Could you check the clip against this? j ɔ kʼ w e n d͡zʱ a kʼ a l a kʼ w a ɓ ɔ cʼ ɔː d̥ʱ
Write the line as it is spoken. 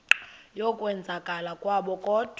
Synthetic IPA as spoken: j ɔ kʼ w ɛ n d͡zʱ a kʼ a l a kʼ w a ɓ ɔ kʼ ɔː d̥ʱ